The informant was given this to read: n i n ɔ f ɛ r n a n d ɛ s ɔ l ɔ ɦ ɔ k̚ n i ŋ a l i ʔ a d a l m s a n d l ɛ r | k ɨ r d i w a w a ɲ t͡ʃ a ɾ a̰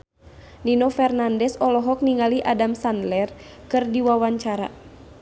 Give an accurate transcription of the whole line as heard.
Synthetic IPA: n i n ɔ f ɛ r n a n d ɛ s ɔ l ɔ ɦ ɔ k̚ n i ŋ a l i ʔ a d a m s a n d l ɛ r | k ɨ r d i w a w a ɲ t͡ʃ a ɾ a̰

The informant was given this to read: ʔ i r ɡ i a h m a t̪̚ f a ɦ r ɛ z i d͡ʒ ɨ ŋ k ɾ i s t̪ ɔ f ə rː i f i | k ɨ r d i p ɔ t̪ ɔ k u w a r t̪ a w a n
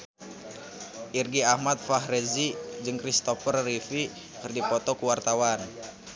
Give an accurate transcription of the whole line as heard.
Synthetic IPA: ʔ i r ɡ i a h m a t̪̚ f a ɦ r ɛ z i d͡ʒ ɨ ŋ k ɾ i s t̪ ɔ f ə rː i f i | k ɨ r d i p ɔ t̪ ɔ k u w a r t̪ a w a n

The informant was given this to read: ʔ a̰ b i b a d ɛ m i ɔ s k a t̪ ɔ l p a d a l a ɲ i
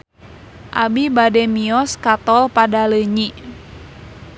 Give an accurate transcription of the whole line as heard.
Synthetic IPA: ʔ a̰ b i b a d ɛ m i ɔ s k a t̪ ɔ l p a d a l ə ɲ i

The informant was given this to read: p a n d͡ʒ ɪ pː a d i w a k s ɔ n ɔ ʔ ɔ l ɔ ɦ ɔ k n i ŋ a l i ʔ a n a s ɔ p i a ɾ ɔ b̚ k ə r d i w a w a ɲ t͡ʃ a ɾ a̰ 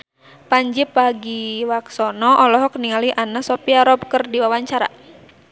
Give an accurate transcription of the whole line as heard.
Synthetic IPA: p a ɲ d͡ʒ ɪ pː a ɡ i w a k s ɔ n ɔ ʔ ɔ l ɔ ɦ ɔ k n i ŋ a l i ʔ a n a s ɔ p i a ɾ ɔ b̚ k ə r d i w a w a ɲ t͡ʃ a ɾ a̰

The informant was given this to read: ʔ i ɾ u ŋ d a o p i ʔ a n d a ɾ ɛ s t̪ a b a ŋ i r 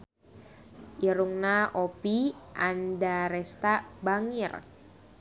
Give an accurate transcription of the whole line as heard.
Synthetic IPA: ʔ i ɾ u ŋ n a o p i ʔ a n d a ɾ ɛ s t̪ a b a ŋ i r

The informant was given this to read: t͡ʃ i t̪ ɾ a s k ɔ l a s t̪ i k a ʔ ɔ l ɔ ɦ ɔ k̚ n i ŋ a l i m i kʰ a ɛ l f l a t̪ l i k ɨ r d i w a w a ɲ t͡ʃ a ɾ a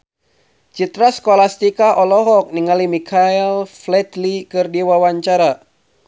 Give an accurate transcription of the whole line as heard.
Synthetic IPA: t͡ʃ i t̪ ɾ a s k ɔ l a s t̪ i k a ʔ ɔ l ɔ ɦ ɔ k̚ n i ŋ a l i m i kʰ a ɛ l f l ɛ t̪ l i k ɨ r d i w a w a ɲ t͡ʃ a ɾ a

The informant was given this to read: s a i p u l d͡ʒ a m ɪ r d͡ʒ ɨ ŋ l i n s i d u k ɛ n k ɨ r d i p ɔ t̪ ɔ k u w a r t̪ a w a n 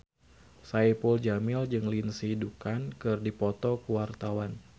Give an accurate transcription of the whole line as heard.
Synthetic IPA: s a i p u l d͡ʒ a m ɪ l d͡ʒ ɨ ŋ l i n s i d u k a n k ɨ r d i p ɔ t̪ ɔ k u w a r t̪ a w a n

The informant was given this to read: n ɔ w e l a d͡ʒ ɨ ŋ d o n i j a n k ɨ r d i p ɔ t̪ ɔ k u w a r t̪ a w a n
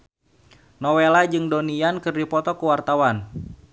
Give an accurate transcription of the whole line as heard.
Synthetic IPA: n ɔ w e l a d͡ʒ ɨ ŋ d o n i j a n k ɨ r d i p ɔ t̪ ɔ k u w a r t̪ a w a n

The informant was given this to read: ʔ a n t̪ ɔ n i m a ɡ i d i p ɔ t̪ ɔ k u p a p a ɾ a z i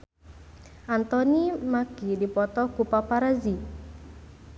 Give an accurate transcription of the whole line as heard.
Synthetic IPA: ʔ a n t̪ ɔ n i m a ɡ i d i p ɔ t̪ ɔ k u p a p a ɾ a z i

